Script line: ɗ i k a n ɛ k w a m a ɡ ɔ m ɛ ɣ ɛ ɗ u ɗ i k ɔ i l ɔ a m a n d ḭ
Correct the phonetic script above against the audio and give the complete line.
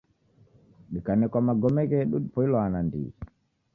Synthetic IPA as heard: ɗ i k a n ɛ k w a m a ɡ ɔ m ɛ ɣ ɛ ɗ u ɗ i p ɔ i l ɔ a n a n d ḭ